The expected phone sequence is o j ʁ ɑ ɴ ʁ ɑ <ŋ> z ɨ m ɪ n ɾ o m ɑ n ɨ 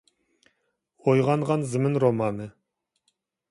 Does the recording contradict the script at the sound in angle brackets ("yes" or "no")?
yes